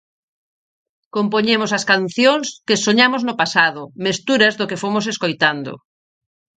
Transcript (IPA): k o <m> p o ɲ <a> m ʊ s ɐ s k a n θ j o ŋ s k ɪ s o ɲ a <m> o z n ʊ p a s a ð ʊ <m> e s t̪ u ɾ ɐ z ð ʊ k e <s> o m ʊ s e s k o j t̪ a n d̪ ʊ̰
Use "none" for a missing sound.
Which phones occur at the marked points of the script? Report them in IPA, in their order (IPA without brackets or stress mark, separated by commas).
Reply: m, e, m, m, f